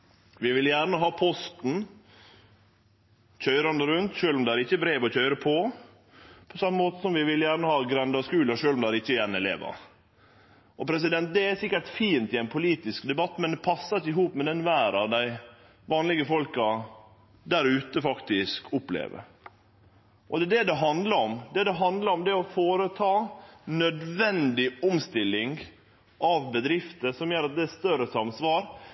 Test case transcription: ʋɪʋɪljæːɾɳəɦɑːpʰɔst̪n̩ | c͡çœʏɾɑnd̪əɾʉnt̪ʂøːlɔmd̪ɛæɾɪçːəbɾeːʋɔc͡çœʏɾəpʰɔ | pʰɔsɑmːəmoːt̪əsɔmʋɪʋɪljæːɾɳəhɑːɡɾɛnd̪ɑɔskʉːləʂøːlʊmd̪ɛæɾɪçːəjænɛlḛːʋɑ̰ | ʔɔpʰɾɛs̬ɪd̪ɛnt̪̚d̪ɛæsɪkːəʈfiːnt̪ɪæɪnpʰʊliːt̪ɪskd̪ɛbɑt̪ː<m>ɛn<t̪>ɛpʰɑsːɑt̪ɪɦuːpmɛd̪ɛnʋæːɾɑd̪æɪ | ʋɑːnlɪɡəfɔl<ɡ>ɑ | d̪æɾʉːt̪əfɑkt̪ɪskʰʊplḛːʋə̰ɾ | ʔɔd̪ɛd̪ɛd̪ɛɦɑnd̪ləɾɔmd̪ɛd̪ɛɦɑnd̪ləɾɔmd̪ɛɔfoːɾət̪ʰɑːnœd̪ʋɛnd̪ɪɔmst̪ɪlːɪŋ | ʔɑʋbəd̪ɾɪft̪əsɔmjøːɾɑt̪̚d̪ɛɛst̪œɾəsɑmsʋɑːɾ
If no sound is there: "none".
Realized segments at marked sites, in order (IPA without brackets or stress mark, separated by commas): m, d̪, k